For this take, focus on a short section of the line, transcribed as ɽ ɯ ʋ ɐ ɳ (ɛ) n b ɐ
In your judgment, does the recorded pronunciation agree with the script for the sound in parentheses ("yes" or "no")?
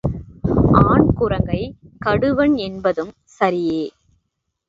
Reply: yes